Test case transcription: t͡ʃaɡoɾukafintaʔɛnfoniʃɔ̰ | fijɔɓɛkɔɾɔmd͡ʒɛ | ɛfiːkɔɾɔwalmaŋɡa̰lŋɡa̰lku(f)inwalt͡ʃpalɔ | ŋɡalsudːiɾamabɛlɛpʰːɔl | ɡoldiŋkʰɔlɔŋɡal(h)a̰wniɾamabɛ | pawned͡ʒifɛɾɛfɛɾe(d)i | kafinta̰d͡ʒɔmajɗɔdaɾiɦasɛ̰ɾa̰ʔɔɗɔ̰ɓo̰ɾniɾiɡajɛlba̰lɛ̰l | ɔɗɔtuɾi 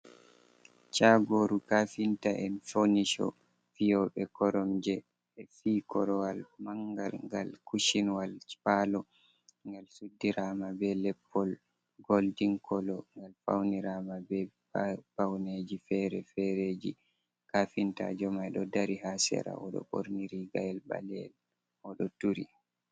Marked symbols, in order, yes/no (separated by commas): no, no, no